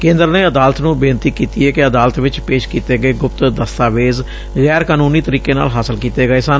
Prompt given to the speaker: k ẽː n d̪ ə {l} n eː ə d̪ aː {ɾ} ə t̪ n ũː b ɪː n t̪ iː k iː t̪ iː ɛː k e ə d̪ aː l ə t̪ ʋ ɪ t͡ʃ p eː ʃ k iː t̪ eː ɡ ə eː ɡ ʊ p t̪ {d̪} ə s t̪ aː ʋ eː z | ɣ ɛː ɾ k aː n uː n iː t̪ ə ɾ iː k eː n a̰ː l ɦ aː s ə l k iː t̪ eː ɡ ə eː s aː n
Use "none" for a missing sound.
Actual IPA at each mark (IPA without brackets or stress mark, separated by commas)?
ɾ, l, d̪